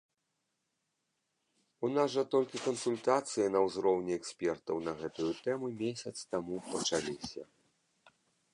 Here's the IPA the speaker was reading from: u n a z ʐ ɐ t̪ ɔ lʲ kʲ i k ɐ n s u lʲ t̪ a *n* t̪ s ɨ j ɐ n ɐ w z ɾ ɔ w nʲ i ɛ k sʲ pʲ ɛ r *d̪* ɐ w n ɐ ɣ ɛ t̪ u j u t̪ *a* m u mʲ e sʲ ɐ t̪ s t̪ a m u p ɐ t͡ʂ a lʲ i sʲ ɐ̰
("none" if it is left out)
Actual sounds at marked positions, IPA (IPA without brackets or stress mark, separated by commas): none, t̪, ɛ